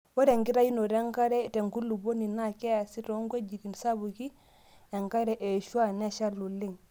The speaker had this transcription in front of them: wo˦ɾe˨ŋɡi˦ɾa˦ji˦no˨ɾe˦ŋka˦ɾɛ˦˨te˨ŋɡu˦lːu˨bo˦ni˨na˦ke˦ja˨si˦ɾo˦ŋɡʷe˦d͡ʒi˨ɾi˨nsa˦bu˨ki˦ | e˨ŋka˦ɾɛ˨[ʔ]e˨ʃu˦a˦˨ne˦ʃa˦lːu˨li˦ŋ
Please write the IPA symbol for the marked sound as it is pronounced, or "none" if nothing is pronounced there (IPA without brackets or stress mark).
ʔ